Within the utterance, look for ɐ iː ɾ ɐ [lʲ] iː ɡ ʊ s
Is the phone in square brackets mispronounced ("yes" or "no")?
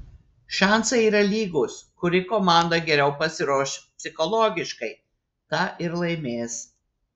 no